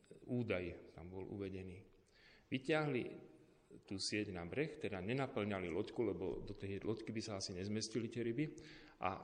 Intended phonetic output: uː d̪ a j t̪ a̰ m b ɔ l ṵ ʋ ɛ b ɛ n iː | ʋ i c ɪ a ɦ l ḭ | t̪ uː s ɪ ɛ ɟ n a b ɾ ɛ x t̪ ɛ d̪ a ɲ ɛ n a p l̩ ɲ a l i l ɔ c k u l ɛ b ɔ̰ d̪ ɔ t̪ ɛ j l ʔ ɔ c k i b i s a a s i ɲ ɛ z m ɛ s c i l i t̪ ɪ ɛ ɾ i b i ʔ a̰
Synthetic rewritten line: uː d̪ a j t̪ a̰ m b ɔ l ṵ ʋ ɛ ɟ ɛ n iː | ʋ i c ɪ a ɦ l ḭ | t̪ uː s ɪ ɛ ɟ n a b ɾ ɛ x t̪ ɛ d̪ a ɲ ɛ n a p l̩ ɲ a l i l ɔ c k u l ɛ b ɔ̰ d̪ ɔ t̪ ɛ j l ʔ ɔ c k i b i s a a s i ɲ ɛ z m ɛ s c i l i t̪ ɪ ɛ ɾ i b i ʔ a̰